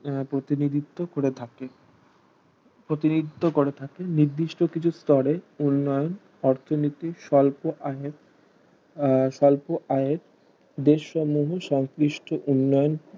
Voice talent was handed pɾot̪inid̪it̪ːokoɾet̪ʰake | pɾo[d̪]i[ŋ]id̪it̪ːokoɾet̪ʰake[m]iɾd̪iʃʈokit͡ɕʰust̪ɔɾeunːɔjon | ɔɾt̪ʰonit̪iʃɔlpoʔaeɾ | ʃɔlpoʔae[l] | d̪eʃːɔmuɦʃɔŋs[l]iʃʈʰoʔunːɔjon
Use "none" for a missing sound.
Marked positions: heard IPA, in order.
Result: t̪, n, n, ɾ, ɾ

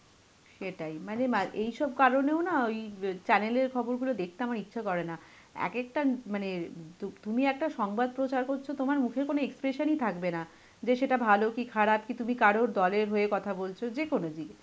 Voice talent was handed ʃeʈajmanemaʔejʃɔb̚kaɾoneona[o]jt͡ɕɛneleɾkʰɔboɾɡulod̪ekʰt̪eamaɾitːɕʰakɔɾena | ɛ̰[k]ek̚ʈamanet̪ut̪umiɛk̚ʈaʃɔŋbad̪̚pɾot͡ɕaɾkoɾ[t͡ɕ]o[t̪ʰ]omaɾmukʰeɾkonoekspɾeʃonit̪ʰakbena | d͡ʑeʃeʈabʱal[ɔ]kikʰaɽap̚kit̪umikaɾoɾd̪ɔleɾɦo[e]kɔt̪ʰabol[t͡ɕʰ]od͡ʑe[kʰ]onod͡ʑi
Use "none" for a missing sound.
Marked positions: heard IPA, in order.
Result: o, k, t͡ɕʰ, t̪, o, e, t͡ɕʰ, k

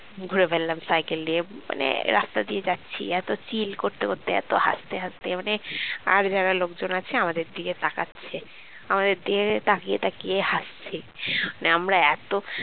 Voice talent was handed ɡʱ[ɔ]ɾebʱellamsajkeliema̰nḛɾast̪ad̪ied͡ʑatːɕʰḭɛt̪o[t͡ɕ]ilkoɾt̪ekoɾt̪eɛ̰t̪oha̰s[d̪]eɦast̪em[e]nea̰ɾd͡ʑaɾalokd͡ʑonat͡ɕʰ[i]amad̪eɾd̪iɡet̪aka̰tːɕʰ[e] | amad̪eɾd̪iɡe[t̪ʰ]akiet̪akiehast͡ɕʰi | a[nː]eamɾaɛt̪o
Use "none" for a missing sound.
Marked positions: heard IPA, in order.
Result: u, t͡ɕ, t̪, a, e, e, t̪, n

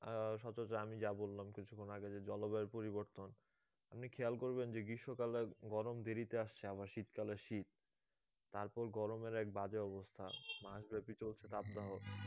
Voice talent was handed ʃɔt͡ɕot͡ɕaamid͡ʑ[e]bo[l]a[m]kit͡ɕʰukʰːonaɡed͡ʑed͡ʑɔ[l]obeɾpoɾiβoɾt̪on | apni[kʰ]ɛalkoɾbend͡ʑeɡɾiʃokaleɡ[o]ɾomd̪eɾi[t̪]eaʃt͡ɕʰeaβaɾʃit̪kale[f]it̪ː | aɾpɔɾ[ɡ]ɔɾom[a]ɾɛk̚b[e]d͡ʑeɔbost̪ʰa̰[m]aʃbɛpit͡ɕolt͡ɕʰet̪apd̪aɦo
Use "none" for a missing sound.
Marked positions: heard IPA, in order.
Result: a, lː, m, l, kʰ, ɔ, t̪, ʃ, ɡ, e, a, m

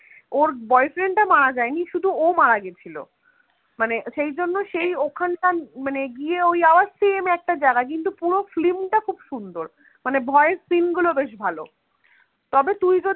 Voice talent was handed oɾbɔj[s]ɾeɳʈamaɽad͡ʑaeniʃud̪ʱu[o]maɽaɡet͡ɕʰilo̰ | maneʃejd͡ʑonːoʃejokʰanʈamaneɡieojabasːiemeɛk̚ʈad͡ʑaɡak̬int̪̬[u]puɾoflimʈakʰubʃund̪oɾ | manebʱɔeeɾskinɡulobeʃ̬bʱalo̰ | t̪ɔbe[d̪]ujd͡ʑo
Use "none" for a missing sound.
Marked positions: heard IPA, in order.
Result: f, o, u, t̪

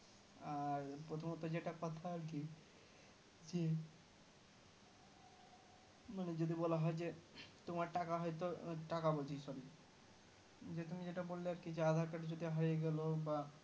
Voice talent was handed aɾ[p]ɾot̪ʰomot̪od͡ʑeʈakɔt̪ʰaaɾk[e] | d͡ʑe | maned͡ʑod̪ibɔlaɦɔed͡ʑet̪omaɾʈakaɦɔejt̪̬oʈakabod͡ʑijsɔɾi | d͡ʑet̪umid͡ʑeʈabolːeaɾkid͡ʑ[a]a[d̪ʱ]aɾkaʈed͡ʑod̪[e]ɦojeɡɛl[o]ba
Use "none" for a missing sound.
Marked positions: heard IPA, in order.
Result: p, i, e, d̪ʱ, i, o

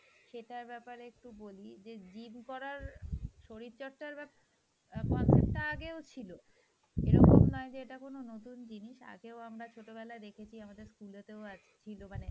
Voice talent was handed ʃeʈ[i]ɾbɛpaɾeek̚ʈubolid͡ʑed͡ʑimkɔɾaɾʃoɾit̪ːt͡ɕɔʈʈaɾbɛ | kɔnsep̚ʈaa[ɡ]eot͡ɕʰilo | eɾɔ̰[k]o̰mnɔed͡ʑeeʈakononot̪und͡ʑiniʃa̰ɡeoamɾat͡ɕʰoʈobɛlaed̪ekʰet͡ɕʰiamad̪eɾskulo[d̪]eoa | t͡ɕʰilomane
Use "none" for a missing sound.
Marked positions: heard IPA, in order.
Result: a, ɡ, k, t̪

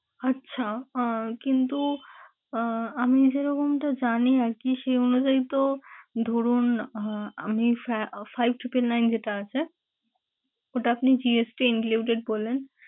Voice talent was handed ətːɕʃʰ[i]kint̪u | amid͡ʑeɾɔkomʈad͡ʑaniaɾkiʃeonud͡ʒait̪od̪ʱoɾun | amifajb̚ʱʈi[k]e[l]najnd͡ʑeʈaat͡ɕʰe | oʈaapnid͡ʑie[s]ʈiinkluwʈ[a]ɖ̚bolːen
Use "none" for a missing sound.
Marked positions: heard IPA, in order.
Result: a, p, l, s, e

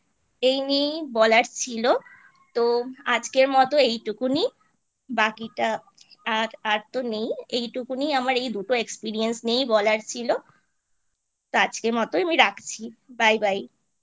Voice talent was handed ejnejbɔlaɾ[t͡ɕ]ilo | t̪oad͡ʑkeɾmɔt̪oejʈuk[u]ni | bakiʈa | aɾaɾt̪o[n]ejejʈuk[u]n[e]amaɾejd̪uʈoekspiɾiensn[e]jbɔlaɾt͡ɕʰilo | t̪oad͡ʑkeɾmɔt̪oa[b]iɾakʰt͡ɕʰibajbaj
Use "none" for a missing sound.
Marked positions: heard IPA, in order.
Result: t͡ɕʰ, u, n, u, i, e, m

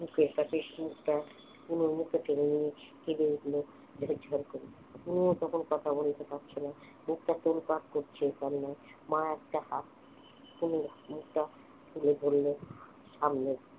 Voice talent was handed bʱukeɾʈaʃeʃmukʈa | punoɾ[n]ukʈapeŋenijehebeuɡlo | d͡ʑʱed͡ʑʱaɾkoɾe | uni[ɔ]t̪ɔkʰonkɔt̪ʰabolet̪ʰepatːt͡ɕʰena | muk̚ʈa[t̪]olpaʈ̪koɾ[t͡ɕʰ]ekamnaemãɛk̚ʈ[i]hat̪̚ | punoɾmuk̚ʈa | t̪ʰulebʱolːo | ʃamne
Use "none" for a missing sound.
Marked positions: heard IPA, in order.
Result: m, o, t̪, t͡ɕʰ, a

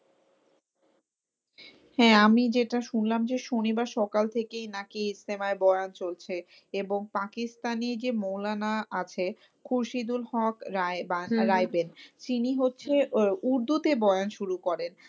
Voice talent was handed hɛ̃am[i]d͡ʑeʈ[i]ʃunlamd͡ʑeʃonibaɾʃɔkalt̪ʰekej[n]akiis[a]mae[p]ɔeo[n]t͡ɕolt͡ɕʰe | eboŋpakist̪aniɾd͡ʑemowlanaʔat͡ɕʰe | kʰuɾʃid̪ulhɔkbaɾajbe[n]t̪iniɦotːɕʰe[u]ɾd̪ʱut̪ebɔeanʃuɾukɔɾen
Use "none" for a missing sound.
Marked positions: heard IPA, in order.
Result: i, a, n, e, b, n, n, u

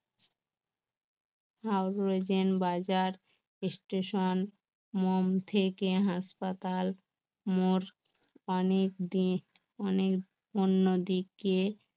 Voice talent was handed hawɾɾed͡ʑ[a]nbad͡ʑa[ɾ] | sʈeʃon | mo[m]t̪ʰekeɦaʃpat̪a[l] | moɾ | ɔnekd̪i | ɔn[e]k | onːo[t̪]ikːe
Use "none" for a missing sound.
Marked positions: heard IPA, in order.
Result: e, ɾ, m, l, e, d̪

